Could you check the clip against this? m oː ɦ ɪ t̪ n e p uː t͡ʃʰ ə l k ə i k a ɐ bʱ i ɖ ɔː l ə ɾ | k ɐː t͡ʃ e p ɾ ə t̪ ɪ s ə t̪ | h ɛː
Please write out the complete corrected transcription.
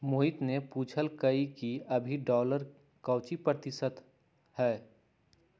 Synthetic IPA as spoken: m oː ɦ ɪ t̪ n e p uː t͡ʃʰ ə l k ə i k i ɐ bʱ i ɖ ɔː l ə ɾ | k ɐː t͡ʃ i p ɾ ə t̪ ɪ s ə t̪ | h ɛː